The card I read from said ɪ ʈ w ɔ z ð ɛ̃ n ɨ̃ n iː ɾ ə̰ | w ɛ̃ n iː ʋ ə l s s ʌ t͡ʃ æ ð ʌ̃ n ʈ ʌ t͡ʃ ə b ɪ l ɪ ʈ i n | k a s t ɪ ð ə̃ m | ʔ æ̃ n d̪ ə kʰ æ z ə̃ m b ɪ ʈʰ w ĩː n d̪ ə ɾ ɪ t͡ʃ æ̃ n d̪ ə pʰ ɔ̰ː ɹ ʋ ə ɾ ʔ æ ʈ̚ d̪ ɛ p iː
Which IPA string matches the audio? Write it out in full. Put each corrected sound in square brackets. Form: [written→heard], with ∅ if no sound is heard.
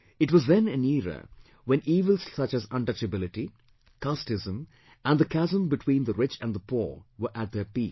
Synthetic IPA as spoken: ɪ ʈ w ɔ z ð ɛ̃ n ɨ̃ n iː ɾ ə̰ | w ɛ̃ n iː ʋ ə l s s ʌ t͡ʃ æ [ð→z] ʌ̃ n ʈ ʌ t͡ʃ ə b ɪ l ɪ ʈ i [n→∅] | k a s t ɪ [ð→z] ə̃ m | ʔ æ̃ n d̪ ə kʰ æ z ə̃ m b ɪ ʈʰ w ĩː n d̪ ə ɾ ɪ t͡ʃ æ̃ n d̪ ə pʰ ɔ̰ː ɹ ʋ ə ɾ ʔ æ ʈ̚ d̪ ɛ p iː